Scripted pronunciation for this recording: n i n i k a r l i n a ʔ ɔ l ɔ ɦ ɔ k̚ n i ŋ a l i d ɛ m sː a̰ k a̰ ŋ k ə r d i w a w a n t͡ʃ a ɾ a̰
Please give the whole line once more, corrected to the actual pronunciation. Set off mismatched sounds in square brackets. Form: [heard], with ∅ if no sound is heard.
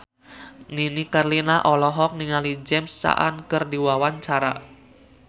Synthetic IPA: n i n i k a r l i n a ʔ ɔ l ɔ ɦ ɔ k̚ n i ŋ a l i [d͡ʒ] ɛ m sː a̰ [ʔ] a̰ [n] k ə r d i w a w a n t͡ʃ a ɾ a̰